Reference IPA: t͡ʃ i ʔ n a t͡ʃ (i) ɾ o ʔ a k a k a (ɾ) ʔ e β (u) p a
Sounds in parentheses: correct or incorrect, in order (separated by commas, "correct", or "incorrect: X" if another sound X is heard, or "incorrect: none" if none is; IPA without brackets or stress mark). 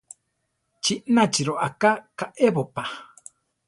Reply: correct, incorrect: none, incorrect: o